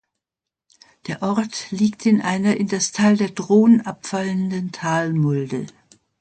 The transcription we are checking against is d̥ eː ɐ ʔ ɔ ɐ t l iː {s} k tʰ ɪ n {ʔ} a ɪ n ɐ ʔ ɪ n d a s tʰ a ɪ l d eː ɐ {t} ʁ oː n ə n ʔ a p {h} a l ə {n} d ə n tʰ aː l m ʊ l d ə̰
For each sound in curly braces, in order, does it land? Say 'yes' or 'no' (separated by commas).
no, yes, no, no, yes